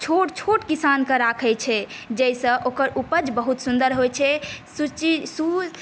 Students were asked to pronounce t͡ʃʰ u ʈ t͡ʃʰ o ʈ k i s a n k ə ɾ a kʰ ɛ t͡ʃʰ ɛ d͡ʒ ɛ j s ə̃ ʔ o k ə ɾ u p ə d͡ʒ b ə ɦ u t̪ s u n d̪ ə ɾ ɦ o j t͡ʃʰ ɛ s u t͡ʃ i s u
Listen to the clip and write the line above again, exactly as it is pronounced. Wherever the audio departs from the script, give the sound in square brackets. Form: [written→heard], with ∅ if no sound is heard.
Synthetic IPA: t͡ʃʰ [u→o] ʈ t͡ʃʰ o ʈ k i s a n k ə ɾ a kʰ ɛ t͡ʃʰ ɛ d͡ʒ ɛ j s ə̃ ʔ o k ə ɾ u p ə d͡ʒ b ə ɦ u t̪ s u n d̪ ə ɾ ɦ o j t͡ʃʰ ɛ s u t͡ʃ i s u